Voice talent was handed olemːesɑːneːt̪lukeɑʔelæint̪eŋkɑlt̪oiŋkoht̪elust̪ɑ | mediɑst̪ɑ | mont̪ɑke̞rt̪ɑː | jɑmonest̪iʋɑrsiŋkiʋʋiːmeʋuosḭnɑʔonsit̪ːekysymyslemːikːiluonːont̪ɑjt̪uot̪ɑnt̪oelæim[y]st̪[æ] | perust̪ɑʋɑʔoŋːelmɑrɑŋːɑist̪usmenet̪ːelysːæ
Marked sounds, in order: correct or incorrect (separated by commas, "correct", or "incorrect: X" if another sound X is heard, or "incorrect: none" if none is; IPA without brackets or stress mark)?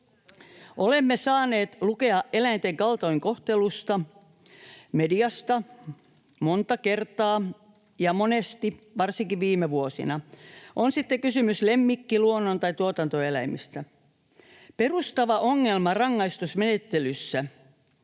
incorrect: i, correct